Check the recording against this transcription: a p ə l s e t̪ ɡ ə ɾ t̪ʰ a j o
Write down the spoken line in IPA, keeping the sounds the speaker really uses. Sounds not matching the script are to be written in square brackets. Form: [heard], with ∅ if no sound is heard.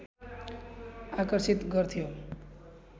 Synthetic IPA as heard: a [k] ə [ɾ] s [i] t̪ ɡ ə ɾ t̪ʰ [i] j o